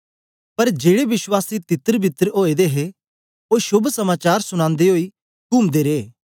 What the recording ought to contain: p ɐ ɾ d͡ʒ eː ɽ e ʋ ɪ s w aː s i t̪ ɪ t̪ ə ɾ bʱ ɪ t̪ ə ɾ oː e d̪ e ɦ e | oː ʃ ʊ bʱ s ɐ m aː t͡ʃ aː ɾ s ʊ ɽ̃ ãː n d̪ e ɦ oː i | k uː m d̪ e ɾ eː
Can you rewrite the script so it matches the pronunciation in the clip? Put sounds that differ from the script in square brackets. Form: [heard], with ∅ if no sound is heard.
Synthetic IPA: p ɐ ɾ d͡ʒ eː ɽ e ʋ ɪ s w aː s i t̪ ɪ t̪ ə ɾ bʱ ɪ t̪ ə ɾ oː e d̪ e ɦ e | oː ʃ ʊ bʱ s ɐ m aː t͡ʃ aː ɾ s ʊ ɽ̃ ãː n d̪ e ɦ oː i | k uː m d̪ e ɾ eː